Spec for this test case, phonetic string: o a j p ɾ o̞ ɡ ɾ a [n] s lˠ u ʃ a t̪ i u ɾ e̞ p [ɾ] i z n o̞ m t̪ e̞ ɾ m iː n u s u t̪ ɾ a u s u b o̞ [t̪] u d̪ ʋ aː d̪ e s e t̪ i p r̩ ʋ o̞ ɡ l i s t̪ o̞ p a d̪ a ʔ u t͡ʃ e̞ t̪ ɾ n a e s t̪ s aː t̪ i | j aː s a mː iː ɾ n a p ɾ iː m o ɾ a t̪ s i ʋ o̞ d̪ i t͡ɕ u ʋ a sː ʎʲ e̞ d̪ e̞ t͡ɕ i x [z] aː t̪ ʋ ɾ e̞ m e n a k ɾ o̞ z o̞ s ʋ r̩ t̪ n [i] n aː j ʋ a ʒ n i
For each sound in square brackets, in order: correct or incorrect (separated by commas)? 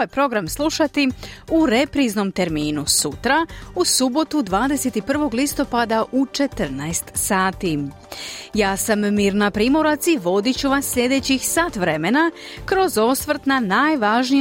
incorrect, correct, correct, incorrect, incorrect